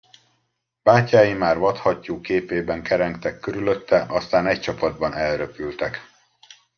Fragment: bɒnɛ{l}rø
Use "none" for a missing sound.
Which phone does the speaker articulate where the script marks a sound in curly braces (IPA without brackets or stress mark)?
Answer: l